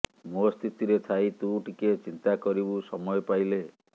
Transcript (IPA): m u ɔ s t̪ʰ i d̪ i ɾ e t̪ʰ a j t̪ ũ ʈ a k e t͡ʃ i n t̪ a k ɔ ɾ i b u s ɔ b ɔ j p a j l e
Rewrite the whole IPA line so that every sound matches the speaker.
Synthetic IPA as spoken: m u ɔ s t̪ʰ i t̪ i ɾ e t̪ʰ a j t̪ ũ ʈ i k e t͡ʃ i n t̪ a k ɔ ɾ i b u s ɔ m ɔ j p a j l e